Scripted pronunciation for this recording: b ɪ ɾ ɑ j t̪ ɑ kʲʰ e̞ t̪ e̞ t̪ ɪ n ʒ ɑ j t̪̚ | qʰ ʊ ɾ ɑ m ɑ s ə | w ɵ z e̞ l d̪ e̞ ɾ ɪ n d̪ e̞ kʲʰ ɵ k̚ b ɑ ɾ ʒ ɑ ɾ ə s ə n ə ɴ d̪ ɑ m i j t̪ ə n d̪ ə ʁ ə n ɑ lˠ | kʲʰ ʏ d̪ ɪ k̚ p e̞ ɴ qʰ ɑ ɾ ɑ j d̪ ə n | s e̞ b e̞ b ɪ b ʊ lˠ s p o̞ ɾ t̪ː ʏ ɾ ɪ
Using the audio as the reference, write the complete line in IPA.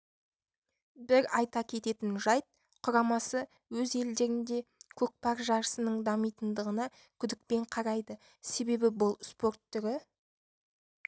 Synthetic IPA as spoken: b ɪ ɾ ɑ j t̪ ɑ kʲʰ e̞ t̪ e̞ t̪ ɪ n ʒ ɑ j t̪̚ | qʰ ʊ ɾ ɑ m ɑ s ə | w ɵ z e̞ l d̪ e̞ ɾ ɪ n d̪ e̞ kʲʰ ɵ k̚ p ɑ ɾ ʒ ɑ ɾ ə s ə n ə ɴ d̪ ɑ m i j t̪ ə n d̪ ə ʁ ə n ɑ | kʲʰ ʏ d̪ ɪ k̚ p e̞ ɴ qʰ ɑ ɾ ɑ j d̪ ə | s e̞ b e̞ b ɪ b ʊ lˠ s p o̞ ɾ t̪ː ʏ ɾ ɪ